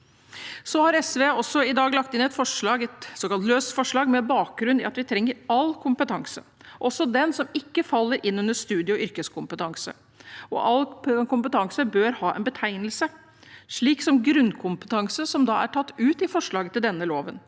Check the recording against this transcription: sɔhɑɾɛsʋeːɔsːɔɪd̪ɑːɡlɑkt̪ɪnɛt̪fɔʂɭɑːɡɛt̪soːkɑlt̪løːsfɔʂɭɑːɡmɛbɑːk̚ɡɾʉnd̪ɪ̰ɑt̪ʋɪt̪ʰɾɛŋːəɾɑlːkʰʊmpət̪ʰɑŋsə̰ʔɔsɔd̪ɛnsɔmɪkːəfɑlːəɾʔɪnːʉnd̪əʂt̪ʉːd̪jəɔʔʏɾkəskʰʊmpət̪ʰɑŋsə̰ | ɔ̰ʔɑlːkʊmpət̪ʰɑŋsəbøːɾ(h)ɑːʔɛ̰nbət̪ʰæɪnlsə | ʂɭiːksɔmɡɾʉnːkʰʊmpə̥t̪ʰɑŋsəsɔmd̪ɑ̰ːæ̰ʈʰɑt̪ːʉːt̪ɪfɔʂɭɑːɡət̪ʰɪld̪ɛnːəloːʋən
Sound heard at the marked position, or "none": h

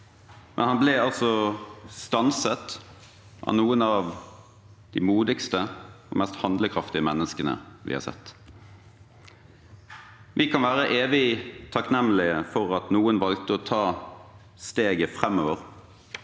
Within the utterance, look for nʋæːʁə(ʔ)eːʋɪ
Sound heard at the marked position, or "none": ʔ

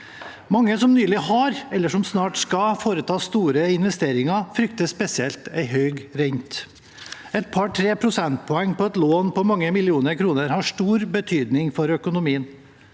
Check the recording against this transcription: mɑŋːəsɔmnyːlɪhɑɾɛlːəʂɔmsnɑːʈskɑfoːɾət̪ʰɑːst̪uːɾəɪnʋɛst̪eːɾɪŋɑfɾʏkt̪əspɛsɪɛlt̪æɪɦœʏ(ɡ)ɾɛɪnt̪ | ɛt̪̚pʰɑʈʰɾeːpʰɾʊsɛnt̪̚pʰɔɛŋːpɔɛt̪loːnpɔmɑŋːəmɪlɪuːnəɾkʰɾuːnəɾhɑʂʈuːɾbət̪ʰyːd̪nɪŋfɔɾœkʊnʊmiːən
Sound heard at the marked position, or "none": ɡ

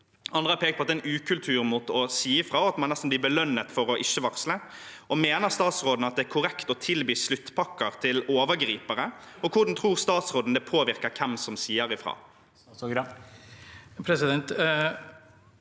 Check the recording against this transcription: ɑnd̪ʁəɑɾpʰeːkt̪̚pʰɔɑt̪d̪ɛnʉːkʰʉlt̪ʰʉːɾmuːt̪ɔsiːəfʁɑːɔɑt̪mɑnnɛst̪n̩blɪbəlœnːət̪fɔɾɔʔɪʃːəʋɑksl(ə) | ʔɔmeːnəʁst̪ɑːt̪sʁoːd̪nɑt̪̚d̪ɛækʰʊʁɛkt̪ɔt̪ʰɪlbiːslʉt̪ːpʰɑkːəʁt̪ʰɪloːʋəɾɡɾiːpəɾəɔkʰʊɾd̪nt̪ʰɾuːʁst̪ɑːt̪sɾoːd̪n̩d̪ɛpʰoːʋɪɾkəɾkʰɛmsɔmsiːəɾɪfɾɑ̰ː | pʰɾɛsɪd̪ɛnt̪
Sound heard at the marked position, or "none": ə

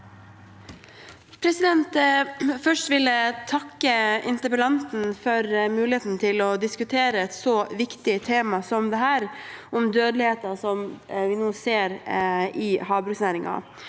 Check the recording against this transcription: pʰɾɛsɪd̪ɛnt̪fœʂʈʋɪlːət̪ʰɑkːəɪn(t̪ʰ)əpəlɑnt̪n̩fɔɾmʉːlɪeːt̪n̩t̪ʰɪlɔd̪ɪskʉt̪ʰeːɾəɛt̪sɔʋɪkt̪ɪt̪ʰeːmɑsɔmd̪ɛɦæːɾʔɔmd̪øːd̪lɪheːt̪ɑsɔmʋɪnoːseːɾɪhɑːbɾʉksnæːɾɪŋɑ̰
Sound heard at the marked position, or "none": t̪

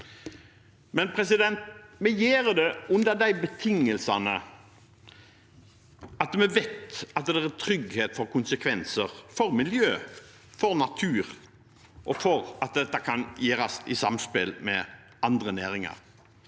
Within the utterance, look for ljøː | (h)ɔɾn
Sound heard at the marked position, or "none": f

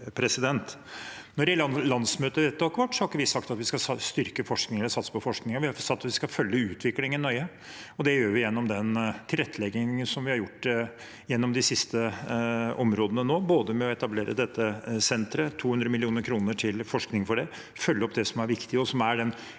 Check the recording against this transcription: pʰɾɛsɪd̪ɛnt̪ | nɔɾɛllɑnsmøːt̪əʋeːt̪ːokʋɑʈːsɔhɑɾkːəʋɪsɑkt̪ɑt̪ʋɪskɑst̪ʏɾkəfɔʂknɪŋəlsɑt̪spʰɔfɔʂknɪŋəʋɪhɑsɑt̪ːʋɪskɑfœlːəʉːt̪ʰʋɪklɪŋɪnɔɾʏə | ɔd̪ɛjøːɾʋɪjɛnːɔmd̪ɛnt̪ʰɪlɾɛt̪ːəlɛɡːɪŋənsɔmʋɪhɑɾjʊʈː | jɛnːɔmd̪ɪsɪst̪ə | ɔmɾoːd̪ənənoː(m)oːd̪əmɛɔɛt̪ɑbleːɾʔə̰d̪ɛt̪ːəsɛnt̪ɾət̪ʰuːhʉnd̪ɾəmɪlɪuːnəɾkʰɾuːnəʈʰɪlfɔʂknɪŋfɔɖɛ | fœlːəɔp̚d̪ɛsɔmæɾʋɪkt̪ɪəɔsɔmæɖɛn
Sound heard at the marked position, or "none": b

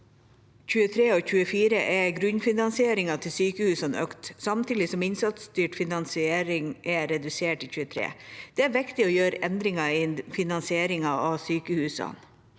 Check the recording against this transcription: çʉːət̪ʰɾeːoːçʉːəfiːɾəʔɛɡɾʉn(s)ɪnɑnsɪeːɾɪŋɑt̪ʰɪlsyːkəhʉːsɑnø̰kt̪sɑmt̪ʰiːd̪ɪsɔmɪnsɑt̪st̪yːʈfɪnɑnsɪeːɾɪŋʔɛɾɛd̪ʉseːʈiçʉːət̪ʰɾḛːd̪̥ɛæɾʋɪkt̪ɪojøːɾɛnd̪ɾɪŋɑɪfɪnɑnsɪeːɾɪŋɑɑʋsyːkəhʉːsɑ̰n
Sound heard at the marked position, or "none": f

